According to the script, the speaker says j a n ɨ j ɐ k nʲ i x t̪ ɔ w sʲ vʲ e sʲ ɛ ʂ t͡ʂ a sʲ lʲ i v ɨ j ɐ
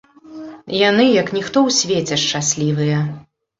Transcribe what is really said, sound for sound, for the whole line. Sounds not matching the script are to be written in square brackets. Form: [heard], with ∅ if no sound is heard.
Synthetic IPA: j a n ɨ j ɐ k nʲ i x t̪ ɔ w sʲ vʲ e [t͡sʲ] ɛ ʂ t͡ʂ a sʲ lʲ i v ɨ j ɐ